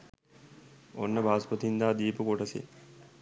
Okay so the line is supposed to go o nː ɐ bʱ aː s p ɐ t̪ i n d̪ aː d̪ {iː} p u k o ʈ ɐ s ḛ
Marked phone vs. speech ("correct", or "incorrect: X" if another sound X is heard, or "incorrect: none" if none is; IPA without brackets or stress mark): correct